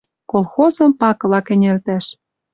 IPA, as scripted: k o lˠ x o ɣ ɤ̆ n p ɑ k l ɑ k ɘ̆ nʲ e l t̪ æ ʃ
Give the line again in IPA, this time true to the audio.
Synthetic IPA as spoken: k o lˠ x o z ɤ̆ m p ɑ k l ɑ k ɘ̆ nʲ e l t̪ æ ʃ